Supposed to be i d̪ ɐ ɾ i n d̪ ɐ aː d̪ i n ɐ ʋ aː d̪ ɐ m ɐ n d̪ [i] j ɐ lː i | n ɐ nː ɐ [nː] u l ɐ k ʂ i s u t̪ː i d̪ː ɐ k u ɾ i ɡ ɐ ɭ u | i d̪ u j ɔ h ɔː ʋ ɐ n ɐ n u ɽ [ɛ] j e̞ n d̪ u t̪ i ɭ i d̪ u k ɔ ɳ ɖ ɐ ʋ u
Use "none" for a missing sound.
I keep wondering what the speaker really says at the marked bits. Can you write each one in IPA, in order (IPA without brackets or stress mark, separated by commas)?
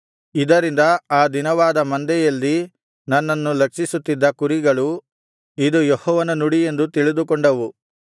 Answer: ɛ, nː, i